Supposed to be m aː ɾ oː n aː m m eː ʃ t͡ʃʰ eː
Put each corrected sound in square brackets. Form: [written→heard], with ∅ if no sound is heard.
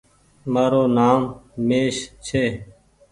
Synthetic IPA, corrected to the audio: m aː ɾ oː n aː m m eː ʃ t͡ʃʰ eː